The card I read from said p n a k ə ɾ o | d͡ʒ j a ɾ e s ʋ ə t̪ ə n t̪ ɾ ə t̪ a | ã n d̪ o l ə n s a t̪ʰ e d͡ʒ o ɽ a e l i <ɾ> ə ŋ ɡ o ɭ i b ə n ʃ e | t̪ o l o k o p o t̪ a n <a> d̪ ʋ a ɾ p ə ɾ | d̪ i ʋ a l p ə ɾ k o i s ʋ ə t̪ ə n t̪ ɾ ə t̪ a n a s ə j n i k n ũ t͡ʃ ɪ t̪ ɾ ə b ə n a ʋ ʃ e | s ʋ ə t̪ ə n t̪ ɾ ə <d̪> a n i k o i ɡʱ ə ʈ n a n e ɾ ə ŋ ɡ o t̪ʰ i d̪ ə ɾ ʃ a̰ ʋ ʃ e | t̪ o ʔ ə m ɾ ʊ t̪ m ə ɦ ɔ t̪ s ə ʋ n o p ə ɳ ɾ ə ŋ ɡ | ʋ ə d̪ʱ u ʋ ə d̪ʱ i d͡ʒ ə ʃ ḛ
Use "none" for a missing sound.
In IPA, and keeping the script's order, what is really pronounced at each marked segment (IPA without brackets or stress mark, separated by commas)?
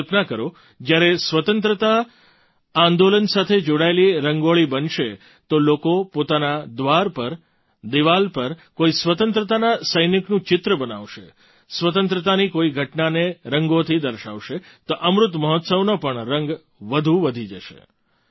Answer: ɾ, a, t̪